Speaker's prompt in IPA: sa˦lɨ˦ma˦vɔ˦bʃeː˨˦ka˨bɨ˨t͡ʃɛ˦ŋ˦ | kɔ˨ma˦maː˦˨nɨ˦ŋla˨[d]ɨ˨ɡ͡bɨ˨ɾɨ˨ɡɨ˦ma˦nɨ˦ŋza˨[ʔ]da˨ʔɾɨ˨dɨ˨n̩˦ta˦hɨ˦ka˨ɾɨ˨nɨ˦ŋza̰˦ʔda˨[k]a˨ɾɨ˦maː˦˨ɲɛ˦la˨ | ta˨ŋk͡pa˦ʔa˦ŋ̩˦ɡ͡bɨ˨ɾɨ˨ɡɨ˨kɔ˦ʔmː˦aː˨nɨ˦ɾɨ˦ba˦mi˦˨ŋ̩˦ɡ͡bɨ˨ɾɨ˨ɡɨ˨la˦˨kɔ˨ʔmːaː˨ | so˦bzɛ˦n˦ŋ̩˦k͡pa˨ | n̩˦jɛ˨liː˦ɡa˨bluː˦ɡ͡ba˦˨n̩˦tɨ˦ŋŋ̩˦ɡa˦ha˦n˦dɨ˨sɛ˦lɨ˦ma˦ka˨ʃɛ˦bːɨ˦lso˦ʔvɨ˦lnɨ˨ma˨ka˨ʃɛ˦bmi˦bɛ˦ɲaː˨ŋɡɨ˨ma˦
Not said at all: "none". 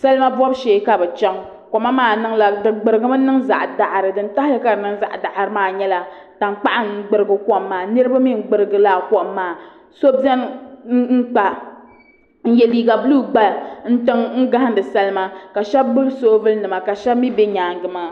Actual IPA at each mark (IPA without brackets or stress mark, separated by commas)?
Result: d, ʔ, ʔ